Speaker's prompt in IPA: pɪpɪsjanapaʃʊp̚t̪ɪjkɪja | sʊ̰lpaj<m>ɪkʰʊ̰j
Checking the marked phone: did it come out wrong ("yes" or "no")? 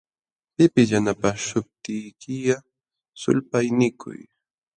yes